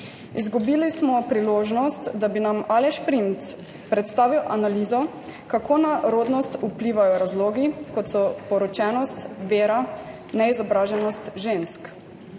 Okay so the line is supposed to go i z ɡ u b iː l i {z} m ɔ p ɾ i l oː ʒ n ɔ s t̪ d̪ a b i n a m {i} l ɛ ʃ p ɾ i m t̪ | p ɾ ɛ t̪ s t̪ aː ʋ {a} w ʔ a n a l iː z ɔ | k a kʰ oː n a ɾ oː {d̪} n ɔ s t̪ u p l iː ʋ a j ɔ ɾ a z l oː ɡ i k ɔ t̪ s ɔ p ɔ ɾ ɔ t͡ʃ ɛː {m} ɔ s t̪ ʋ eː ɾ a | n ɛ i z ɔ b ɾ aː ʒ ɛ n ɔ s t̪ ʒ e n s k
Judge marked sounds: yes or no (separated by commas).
no, no, no, yes, no